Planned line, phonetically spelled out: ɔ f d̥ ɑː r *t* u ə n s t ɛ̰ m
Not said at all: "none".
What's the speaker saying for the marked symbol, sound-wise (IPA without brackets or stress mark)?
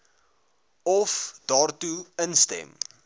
t